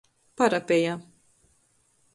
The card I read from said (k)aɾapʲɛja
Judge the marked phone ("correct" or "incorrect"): incorrect